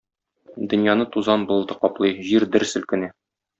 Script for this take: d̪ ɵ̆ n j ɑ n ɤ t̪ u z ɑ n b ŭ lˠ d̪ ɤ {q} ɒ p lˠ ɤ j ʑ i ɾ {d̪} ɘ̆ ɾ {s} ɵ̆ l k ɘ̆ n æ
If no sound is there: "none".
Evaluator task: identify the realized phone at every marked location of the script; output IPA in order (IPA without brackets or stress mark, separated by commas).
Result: q, d̪, s